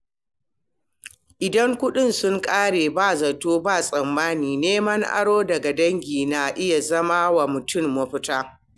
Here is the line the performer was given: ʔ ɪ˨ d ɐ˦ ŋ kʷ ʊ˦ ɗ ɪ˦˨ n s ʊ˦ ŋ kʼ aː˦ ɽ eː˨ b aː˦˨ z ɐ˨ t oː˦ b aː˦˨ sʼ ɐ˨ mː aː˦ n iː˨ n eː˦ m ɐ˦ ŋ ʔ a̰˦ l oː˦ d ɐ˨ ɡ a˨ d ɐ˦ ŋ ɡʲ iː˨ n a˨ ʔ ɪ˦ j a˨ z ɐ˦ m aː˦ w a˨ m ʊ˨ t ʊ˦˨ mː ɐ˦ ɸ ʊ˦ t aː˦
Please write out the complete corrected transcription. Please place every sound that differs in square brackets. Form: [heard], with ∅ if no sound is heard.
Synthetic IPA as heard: ʔ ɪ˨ d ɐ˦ ŋ kʷ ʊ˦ ɗ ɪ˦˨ n s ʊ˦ ŋ kʼ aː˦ ɽ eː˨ b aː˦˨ z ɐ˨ t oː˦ b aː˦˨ sʼ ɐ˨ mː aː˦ n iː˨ n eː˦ m ɐ˦ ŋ ʔ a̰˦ [ɽ] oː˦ d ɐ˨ ɡ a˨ d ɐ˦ ŋ ɡʲ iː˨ n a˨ ʔ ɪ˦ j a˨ z ɐ˦ m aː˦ w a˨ m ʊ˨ t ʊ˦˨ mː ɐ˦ ɸ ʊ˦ t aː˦